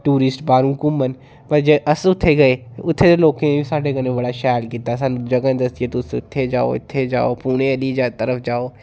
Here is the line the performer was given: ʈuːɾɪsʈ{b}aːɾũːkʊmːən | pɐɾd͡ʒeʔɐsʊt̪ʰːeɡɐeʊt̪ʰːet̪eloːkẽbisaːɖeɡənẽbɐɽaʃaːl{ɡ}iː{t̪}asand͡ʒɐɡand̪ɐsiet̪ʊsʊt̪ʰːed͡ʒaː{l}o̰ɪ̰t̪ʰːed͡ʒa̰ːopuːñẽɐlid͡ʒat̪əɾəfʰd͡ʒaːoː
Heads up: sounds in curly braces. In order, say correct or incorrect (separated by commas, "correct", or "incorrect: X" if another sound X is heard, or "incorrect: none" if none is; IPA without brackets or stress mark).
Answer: correct, incorrect: k, correct, incorrect: none